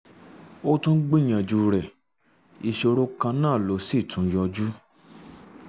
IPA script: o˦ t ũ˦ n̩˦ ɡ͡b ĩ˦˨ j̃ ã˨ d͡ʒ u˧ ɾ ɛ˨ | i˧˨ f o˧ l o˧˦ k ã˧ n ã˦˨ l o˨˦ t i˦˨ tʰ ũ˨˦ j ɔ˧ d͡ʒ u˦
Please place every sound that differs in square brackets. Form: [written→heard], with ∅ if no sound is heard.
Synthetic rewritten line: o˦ t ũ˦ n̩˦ ɡ͡b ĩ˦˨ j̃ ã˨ d͡ʒ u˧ ɾ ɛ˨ | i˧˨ [f→ʃ] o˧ [l→ɾ] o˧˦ k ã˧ n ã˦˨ l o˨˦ [t→s] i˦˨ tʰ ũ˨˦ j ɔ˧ d͡ʒ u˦